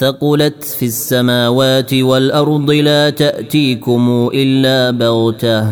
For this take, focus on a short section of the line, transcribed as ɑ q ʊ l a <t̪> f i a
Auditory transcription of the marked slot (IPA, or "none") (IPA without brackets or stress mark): t̪